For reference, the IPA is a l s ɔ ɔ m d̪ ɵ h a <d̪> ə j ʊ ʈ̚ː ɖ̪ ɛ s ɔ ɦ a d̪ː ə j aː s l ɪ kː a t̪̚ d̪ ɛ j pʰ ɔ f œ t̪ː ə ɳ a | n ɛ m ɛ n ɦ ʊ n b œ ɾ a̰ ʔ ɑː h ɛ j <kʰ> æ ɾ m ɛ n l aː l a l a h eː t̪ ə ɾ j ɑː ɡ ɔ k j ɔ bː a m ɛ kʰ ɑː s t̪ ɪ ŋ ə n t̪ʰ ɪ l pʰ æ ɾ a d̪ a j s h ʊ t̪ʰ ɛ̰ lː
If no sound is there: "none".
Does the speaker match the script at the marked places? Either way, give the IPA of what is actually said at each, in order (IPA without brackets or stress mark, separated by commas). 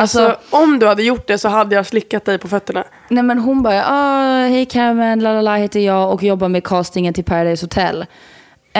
d̪ː, kʰ